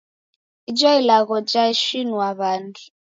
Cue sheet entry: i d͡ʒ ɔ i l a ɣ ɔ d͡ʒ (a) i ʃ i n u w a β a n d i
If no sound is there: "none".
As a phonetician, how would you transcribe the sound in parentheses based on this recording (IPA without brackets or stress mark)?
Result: a